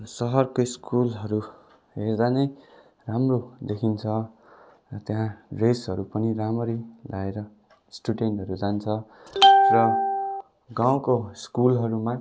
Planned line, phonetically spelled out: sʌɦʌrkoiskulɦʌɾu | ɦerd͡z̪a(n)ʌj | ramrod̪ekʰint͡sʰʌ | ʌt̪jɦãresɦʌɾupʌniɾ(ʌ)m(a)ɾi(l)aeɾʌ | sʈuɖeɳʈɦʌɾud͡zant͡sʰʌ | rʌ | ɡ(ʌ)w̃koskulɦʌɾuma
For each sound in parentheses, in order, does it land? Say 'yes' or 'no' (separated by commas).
yes, no, no, yes, no